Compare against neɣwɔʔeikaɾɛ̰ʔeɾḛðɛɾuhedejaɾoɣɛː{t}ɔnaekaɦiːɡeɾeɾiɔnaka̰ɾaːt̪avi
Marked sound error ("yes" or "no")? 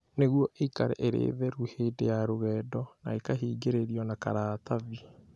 yes